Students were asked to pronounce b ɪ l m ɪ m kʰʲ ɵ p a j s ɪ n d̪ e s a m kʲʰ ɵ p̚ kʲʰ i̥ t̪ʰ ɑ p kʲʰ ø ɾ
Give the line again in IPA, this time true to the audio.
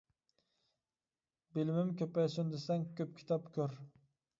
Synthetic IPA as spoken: b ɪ l m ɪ m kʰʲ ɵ p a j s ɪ n d̪ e s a ŋ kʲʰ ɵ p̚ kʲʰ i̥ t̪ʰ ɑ p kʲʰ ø ɾ